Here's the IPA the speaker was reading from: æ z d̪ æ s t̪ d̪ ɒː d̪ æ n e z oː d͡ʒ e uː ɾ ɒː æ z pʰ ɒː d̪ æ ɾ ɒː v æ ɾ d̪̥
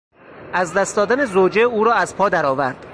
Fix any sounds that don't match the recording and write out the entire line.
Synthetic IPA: æ z d̪ æ s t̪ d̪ ɒː d̪ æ n e z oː d͡ʒ e uː ɾ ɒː æ z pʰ ɒː d̪ æ ɾ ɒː v æ ɾ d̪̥